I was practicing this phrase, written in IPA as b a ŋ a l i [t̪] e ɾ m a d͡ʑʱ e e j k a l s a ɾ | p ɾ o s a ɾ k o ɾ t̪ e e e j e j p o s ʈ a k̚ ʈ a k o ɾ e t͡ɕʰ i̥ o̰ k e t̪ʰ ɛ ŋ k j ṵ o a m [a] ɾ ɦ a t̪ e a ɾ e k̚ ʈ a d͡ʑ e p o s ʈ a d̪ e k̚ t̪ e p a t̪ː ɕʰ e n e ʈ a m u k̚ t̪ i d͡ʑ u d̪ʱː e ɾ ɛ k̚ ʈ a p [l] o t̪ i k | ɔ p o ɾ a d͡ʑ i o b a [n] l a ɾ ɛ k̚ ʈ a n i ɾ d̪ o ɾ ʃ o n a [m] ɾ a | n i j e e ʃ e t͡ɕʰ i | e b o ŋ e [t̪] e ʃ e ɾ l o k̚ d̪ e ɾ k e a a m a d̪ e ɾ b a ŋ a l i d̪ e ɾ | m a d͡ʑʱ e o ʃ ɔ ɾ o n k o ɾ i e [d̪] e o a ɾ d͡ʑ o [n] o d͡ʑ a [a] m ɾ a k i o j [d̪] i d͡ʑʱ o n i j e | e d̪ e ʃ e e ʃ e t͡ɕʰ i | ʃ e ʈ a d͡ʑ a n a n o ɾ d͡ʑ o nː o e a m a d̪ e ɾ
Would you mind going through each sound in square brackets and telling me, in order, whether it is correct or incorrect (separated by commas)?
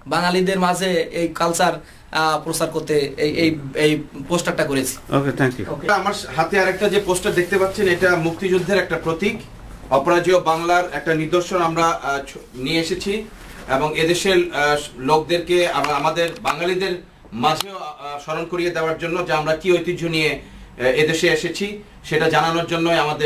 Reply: incorrect, correct, incorrect, incorrect, correct, incorrect, correct, incorrect, correct, incorrect